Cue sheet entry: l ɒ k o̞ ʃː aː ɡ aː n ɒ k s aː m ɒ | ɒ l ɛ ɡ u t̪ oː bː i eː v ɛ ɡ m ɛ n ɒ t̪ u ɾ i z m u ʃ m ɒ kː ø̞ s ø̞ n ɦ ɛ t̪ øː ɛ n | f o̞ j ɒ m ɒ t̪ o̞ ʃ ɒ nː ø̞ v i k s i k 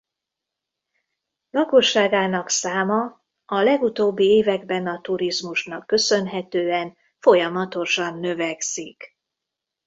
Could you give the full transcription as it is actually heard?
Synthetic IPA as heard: l ɒ k o̞ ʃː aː ɡ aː n ɒ k s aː m ɒ | ɒ l ɛ ɡ u t̪ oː bː i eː v ɛ ɡ b ɛ n ɒ t̪ u ɾ i z m u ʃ n ɒ kː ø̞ s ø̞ n ɦ ɛ t̪ øː ɛ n | f o̞ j ɒ m ɒ t̪ o̞ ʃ ɒ nː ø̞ v ɛ k s i k